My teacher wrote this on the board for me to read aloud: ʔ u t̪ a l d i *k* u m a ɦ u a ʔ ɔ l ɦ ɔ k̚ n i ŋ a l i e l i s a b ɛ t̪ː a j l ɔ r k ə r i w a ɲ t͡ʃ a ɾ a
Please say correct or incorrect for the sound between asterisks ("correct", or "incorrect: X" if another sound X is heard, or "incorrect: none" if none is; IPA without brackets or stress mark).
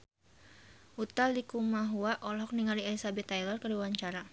correct